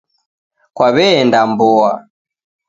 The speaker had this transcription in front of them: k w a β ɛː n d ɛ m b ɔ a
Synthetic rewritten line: k w a β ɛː n d a m b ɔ a